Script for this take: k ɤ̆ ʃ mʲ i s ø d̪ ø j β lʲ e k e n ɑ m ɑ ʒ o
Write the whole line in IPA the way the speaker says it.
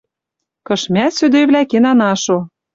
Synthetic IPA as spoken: k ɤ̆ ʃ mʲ æ s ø d̪ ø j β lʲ æ k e n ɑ n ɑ ʃ o